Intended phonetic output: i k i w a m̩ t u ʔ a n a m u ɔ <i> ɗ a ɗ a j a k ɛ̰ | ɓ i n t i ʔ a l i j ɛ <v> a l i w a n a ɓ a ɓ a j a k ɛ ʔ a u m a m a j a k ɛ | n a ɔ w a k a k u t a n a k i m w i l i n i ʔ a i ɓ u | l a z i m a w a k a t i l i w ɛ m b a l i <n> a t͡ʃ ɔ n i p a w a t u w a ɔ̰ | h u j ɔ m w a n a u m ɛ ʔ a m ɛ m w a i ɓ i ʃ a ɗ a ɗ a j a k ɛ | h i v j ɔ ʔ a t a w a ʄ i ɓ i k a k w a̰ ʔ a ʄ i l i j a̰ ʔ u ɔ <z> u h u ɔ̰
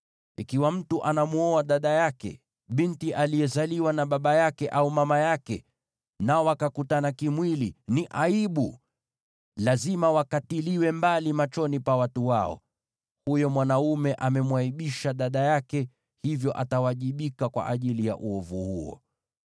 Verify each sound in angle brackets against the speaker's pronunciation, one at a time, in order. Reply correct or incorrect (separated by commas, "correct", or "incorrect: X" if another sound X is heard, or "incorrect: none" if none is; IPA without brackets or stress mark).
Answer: incorrect: a, incorrect: z, incorrect: m, incorrect: v